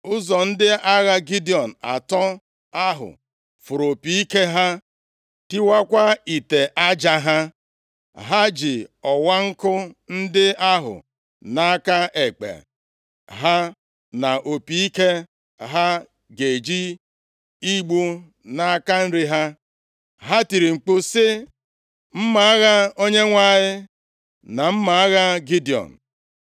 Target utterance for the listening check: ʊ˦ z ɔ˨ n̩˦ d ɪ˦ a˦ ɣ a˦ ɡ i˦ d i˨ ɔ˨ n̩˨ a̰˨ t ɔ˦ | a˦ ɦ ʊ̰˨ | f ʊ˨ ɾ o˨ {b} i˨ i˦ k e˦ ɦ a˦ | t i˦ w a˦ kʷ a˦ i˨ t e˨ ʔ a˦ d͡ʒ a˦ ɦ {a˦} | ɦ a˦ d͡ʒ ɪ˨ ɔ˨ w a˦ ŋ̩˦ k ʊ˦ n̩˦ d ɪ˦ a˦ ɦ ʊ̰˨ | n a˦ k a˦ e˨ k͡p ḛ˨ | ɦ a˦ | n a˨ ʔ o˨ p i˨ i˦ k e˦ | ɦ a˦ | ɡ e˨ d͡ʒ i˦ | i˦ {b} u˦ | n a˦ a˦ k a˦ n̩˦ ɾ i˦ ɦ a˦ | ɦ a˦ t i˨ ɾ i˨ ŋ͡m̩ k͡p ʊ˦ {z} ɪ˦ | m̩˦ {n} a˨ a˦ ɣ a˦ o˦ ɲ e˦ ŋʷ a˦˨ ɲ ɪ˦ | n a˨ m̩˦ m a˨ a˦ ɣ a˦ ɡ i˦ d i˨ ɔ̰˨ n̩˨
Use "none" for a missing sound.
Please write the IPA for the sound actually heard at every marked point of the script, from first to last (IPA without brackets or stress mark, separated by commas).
p, a˦, ɡ͡b, s, m